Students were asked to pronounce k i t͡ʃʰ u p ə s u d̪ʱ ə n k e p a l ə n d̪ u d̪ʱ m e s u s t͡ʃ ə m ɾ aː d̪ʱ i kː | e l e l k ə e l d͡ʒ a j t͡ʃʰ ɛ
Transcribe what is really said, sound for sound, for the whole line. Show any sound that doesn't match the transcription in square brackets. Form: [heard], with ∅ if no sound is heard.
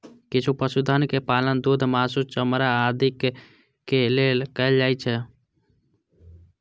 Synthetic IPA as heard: k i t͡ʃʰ u p ə s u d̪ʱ ə n k e p a l ə n d̪ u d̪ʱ m [a] s u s t͡ʃ ə m ɾ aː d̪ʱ i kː | e l e l k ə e l d͡ʒ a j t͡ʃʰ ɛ